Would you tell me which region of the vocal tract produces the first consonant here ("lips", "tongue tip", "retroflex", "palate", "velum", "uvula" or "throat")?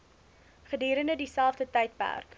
uvula